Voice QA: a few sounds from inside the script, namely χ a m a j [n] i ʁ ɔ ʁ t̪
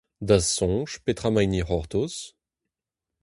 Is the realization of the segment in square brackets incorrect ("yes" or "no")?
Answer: no